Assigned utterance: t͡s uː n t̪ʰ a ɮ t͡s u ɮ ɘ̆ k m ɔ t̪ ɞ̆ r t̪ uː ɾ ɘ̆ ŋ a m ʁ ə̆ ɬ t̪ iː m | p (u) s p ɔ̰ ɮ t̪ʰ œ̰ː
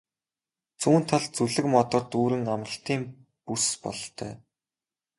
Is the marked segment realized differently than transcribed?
no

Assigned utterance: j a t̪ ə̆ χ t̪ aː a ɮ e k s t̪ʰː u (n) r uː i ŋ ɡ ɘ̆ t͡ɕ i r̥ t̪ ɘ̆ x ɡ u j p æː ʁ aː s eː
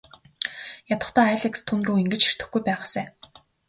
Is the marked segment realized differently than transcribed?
no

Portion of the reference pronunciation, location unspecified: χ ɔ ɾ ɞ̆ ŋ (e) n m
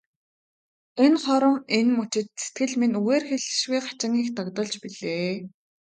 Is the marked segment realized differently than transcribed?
no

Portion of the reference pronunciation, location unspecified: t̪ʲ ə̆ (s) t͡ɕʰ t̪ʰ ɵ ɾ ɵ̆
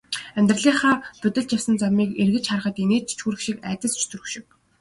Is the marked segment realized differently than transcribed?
no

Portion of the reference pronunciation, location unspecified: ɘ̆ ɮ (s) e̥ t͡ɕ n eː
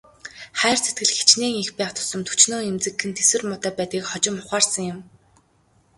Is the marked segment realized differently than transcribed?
yes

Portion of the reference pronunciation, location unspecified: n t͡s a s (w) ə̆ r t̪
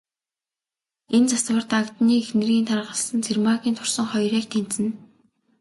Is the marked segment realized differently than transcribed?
no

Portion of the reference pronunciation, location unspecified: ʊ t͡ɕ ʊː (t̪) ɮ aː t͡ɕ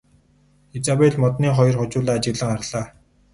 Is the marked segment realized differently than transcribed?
yes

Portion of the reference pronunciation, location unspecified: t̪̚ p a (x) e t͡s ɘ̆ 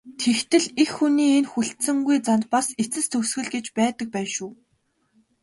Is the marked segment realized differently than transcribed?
yes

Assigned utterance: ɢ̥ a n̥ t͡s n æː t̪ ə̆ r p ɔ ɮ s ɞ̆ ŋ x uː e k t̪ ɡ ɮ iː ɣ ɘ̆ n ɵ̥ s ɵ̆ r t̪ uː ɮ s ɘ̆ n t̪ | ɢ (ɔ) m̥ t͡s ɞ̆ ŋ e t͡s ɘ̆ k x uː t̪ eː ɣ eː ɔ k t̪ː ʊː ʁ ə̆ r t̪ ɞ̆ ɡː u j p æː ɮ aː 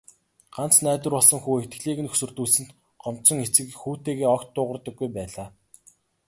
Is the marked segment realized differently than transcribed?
no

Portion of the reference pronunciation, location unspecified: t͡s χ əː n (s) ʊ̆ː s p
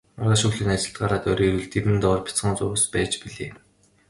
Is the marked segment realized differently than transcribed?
yes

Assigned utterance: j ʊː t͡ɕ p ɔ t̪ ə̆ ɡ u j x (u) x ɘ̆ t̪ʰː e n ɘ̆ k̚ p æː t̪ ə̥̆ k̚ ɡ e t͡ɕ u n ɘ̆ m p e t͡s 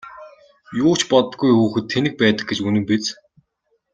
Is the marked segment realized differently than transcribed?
yes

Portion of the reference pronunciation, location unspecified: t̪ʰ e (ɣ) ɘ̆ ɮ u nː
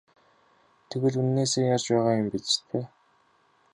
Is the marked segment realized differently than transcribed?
no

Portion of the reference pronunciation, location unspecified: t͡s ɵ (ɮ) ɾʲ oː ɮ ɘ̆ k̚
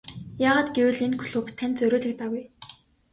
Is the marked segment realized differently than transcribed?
yes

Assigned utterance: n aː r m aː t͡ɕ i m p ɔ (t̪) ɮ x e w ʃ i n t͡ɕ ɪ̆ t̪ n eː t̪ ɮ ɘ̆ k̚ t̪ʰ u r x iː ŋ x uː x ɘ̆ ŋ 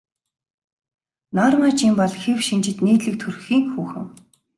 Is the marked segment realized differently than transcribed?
yes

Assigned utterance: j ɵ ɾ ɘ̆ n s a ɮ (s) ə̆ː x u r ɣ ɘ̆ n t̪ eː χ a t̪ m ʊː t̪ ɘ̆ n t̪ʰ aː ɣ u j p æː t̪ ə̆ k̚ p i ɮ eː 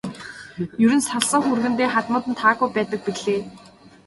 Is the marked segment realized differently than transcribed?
no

